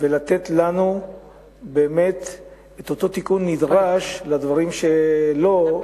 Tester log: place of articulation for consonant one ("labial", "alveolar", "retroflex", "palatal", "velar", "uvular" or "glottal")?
labial